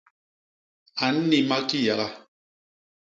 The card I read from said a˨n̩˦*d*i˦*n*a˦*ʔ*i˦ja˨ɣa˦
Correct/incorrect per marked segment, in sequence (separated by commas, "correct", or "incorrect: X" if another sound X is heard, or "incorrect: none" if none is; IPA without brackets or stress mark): incorrect: n, incorrect: m, incorrect: k